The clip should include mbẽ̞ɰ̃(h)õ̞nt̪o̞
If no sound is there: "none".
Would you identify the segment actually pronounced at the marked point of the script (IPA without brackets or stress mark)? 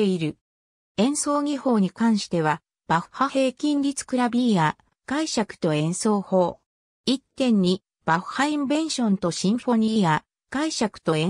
ɕ